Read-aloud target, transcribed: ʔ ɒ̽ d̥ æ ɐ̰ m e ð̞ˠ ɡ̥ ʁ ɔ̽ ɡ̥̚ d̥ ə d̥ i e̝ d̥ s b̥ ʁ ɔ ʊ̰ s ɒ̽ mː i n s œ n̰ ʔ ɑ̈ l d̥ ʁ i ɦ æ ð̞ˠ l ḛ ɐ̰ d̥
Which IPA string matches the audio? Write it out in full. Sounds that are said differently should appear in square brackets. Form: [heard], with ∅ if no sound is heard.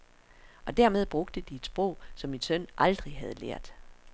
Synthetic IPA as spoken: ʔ ɒ̽ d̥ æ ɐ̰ m e ð̞ˠ [b̥] ʁ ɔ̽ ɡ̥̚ d̥ ə d̥ i e̝ d̥ s b̥ ʁ ɔ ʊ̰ s ɒ̽ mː i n s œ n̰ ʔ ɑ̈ l d̥ ʁ i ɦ æ ð̞ˠ l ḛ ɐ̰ d̥